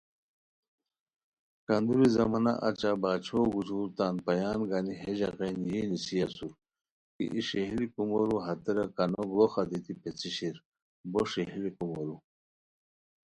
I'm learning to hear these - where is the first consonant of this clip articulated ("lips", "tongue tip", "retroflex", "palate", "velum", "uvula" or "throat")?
velum